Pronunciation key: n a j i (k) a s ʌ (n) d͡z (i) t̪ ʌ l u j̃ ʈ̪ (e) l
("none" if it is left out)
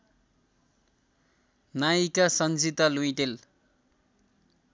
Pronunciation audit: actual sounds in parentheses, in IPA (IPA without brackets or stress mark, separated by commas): k, n, i, e